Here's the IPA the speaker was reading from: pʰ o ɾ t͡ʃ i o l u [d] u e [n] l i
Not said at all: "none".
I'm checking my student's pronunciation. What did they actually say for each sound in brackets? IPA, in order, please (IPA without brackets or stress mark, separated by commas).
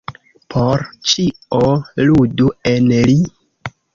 d, n